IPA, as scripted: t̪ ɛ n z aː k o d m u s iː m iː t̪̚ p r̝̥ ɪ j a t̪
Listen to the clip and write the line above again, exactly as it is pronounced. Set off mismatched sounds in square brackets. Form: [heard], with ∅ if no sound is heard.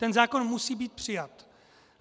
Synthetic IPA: t̪ ɛ n z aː k o [n] m u s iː [b] iː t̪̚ p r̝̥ ɪ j a t̪